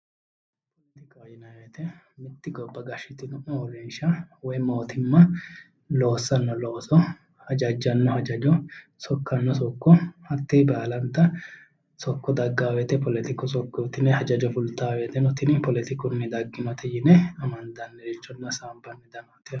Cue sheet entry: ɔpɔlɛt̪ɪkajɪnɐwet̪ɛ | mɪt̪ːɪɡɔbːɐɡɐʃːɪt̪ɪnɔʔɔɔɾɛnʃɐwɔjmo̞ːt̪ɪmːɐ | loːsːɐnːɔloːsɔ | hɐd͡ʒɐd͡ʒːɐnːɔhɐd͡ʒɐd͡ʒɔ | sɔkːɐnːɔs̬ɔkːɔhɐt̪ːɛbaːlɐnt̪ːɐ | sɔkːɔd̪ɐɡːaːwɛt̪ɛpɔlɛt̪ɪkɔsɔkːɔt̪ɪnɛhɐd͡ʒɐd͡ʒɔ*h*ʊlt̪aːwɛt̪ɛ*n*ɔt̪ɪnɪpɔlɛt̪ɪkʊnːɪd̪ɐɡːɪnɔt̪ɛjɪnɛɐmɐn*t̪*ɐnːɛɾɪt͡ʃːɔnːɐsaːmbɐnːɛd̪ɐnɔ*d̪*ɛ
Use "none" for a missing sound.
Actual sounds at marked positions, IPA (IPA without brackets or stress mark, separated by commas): f, n, d̪, t̪